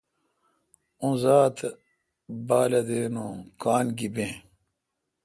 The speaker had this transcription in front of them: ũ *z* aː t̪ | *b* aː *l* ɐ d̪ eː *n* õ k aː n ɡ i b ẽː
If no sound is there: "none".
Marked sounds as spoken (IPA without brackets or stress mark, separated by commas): z, b, l, n